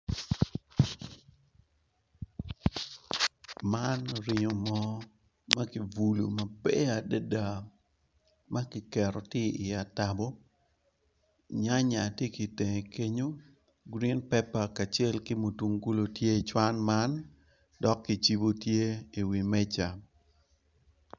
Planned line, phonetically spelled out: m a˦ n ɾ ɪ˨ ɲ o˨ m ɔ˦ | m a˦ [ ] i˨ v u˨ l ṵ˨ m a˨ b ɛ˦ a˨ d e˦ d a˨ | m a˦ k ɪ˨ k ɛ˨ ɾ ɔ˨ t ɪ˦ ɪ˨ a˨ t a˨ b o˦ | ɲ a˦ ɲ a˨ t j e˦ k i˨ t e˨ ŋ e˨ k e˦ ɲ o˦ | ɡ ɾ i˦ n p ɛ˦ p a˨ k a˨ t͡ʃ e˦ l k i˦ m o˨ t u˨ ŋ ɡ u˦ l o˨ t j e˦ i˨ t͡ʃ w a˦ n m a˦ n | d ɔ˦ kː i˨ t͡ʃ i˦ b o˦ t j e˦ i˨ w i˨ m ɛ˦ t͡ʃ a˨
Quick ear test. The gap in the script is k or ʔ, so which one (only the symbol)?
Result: k